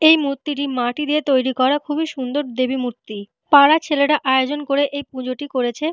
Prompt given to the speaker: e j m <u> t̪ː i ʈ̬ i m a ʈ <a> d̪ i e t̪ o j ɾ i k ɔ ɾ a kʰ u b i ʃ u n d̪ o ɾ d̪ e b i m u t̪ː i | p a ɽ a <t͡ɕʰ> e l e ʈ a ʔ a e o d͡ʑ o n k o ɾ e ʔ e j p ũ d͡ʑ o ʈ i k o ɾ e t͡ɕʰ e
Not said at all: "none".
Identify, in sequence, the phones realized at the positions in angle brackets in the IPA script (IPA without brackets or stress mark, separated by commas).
u, i, t͡ɕʰ